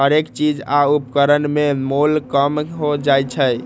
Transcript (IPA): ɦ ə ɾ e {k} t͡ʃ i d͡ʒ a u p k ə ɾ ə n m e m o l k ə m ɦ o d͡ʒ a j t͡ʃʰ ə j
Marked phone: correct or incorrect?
correct